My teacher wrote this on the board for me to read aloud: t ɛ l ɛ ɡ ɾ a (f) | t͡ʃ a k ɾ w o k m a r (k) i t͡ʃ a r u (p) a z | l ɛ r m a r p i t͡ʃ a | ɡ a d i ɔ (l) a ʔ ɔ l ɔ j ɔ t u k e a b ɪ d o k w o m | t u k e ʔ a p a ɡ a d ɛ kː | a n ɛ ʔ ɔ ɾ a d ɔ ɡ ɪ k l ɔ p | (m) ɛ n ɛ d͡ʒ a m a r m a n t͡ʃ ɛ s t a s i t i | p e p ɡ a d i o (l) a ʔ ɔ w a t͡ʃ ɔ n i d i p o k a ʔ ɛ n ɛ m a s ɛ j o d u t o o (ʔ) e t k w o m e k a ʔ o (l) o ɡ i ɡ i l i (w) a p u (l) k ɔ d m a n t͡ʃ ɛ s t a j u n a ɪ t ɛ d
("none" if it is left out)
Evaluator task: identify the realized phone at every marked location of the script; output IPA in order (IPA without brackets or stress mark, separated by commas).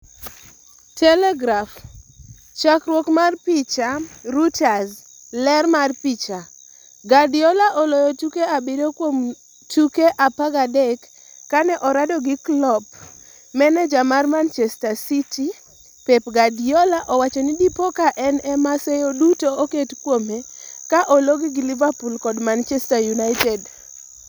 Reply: f, p, t, l, m, l, k, l, v, l